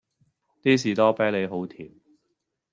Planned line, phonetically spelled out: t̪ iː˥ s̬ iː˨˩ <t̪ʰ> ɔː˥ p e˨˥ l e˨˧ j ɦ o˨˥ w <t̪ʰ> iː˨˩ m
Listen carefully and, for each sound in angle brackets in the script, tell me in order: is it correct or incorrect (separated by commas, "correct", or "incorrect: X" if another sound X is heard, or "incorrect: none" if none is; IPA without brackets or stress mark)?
incorrect: t̪, correct